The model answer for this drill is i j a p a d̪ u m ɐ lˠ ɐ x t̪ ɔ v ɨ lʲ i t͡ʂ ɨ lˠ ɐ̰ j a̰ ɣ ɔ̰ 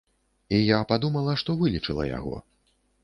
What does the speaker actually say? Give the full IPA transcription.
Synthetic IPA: i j a p a d̪ u m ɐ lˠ ɐ ʂ t̪ ɔ v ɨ lʲ i t͡ʂ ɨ lˠ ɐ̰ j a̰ ɣ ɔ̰